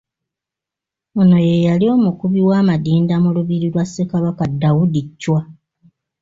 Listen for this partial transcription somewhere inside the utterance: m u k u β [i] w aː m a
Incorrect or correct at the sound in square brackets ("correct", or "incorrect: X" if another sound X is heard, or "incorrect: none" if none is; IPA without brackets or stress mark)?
correct